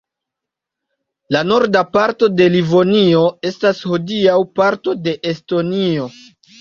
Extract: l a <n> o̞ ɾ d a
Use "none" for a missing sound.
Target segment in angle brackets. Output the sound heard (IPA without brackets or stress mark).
n